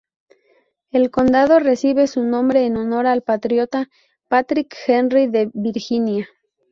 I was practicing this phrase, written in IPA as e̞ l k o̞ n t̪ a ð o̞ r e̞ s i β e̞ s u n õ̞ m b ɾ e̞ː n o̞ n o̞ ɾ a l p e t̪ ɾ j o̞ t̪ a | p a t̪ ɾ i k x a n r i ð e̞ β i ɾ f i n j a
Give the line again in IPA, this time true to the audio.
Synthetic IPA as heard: e̞ l k o̞ n d̪ a ð o̞ r e̞ s i β e̞ s u n õ̞ m b ɾ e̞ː n o̞ n o̞ ɾ a l p a t̪ ɾ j o̞ t̪ a | p a t̪ ɾ i k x e n r i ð e̞ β i ɾ x i n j a

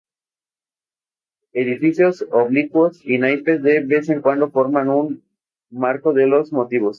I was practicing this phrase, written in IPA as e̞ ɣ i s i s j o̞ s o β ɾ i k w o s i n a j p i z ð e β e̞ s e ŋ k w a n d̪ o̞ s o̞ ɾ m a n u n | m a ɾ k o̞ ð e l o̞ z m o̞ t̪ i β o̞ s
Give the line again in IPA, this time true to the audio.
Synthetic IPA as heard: e̞ ð i f i s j o̞ s o β l i k w o s i n a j p e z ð e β e̞ s e ŋ k w a n d̪ o̞ f o̞ ɾ m a n u n | m a ɾ k o̞ ð e l o̞ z m o̞ t̪ i β o̞ s

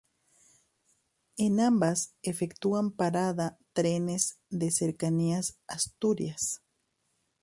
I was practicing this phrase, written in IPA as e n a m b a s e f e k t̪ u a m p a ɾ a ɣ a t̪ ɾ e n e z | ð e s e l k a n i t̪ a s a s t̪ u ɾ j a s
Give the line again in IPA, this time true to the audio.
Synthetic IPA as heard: e n a m b a s e f e k t̪ u a m p a ɾ a ð a t̪ ɾ e n e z | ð e s e ɾ k a n i a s a s t̪ u ɾ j a s

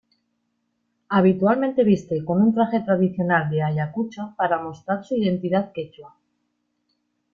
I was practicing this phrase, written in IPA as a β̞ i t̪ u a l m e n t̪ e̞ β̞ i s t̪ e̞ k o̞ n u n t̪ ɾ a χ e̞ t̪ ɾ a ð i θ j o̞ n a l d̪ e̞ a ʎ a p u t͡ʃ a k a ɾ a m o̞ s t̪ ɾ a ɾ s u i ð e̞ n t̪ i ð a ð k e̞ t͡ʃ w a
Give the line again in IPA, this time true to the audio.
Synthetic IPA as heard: a β̞ i t̪ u a l m e n t̪ e̞ β̞ i s t̪ e̞ k o̞ n u n t̪ ɾ a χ e̞ t̪ ɾ a ð i θ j o̞ n a l d̪ e̞ a ʎ a k u t͡ʃ a p a ɾ a m o̞ s t̪ ɾ a ɾ s u i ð e̞ n t̪ i ð a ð k e̞ t͡ʃ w a

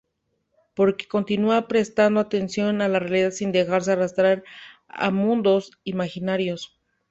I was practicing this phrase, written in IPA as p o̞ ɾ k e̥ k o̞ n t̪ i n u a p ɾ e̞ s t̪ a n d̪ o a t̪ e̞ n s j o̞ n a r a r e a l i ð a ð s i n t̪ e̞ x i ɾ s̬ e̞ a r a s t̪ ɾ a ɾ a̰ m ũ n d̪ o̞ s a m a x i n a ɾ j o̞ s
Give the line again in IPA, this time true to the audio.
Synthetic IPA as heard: p o̞ ɾ k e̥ k o̞ n t̪ i n u a p ɾ e̞ s t̪ a n d̪ o a t̪ e̞ n s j o̞ n a l a r e a l i ð a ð s i n d̪ e̞ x a ɾ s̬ e̞ a r a s t̪ ɾ a ɾ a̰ m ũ n d̪ o̞ s i m a x i n a ɾ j o̞ s

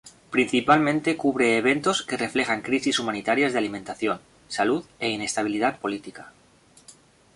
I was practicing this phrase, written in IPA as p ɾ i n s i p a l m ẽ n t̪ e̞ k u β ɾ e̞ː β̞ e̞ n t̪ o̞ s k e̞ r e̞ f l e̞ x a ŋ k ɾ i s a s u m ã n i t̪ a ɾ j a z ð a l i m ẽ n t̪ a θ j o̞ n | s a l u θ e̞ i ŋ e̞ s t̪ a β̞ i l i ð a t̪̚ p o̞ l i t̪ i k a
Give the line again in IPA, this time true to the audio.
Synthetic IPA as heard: p ɾ i n θ i p a l m ẽ n t̪ e̞ k u β ɾ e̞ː β̞ e̞ n t̪ o̞ s k e̞ r e̞ f l e̞ x a ŋ k ɾ i s i s u m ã n i t̪ a ɾ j a z ð a l i m ẽ n t̪ a θ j o̞ n | s a l u ð e̞ i n e̞ s t̪ a β̞ i l i ð a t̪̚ p o̞ l i t̪ i k a

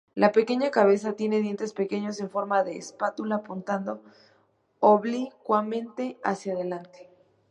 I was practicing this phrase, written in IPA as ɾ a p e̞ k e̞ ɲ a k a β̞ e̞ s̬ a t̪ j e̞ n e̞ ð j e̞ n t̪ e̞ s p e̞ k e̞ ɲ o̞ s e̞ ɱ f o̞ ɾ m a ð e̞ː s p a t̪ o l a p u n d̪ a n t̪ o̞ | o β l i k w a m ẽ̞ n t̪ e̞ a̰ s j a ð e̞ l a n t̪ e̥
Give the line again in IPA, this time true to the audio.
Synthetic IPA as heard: l a p e̞ k e̞ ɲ a k a β̞ e̞ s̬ a t̪ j e̞ n e̞ ð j e̞ n t̪ e̞ s p e̞ k e̞ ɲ o̞ s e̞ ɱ f o̞ ɾ m a ð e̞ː s p a t̪ u l a p u n t̪ a n d̪ o̞ | o β l i k w a m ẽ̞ n t̪ e̞ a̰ s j a ð e̞ l a n t̪ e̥

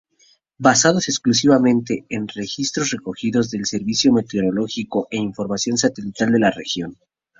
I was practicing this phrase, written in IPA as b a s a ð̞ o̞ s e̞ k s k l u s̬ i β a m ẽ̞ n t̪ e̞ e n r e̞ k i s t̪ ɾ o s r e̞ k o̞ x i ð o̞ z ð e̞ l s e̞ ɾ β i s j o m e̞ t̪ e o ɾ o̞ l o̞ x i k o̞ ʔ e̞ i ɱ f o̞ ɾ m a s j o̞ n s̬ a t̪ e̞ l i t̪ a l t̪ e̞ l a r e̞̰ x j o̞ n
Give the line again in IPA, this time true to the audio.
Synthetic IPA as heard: b a s a ð̞ o̞ s e̞ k s k l u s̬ i β a m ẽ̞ n t̪ e̞ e n r e̞ x i s t̪ ɾ o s r e̞ k o̞ x i ð o̞ z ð e̞ l s e̞ ɾ β i s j o m e̞ t̪ e o ɾ o̞ l o̞ x i k o̞ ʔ e̞ i ɱ f o̞ ɾ m a s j o̞ n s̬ a t̪ e̞ l i t̪ a l d̪ e̞ l a r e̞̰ x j o̞ n

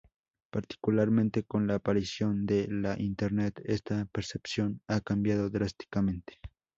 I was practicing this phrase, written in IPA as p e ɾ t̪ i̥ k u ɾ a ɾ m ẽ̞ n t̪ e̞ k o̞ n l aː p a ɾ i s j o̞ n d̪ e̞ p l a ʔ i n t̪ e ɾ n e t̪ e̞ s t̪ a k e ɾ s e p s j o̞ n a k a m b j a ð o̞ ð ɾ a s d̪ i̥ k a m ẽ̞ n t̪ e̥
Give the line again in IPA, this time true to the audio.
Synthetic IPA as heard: p a ɾ t̪ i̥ k u l a ɾ m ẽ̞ n t̪ e̞ k o̞ n l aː p a ɾ i s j o̞ n d̪ e̞ l a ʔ i n t̪ e ɾ n e t̪ e̞ s t̪ a p e ɾ s e p s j o̞ n a k a m b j a ð o̞ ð ɾ a s t̪ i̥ k a m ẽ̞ n t̪ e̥

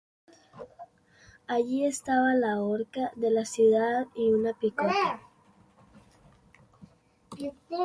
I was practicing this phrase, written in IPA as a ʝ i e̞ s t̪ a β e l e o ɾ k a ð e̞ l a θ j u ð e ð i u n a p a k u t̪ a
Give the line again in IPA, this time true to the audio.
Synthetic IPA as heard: a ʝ i e̞ s t̪ a β a l a o ɾ k a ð e̞ l a s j u ð a ð i u n a p i k o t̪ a

